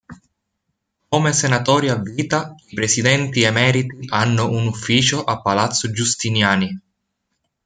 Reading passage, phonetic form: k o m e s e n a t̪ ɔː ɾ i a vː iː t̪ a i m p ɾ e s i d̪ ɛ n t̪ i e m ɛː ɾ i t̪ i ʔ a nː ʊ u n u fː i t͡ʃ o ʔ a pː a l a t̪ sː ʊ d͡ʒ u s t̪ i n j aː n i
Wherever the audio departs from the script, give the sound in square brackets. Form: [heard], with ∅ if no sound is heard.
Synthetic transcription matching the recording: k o m e s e n a t̪ ɔː ɾ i a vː iː t̪ a i [∅] p ɾ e s i d̪ ɛ n t̪ i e m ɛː ɾ i t̪ i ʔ a nː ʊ u n u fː [iː] t͡ʃ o ʔ a pː a l a t̪ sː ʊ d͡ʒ u s t̪ i n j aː n i